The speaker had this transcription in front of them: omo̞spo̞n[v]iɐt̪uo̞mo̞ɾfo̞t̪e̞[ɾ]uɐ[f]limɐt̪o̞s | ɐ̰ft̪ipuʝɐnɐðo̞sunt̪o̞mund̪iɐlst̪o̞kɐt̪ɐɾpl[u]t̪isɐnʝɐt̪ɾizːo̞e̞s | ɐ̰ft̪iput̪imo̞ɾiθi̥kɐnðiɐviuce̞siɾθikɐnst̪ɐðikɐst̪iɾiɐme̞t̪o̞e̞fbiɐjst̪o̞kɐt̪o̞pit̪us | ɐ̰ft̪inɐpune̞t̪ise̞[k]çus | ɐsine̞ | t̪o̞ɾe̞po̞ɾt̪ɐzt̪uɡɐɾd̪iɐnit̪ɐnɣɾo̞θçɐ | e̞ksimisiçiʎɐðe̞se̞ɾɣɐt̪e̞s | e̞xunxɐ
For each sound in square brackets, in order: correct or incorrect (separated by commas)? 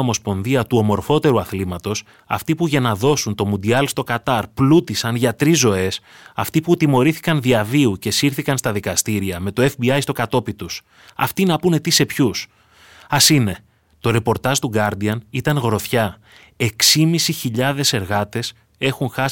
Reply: incorrect, correct, incorrect, correct, incorrect